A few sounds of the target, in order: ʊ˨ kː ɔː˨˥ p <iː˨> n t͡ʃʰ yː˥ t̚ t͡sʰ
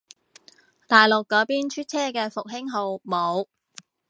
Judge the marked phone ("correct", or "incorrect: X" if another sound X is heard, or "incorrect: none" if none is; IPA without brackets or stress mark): incorrect: iː˥